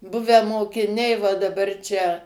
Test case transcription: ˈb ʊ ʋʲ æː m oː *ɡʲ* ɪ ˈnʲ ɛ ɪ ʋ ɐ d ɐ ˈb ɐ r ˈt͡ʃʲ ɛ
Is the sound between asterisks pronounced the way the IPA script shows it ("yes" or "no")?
no